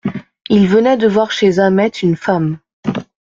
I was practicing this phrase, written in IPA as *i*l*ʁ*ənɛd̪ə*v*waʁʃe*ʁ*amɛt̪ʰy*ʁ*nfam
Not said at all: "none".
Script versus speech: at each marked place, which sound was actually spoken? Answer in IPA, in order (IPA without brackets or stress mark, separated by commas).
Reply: i, v, v, z, none